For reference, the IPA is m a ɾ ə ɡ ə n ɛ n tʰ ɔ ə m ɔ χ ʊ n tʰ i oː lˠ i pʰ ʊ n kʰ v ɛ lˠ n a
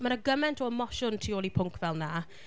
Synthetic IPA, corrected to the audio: m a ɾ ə ɡ ə m ɛ n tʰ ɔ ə m ɔ ʃ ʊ n tʰ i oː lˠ i pʰ ʊ ŋ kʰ v ɛ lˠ n a